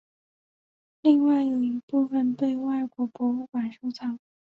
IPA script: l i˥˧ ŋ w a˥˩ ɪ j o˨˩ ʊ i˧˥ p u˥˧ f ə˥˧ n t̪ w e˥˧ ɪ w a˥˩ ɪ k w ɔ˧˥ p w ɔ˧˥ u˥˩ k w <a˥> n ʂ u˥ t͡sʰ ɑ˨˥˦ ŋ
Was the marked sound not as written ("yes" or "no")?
yes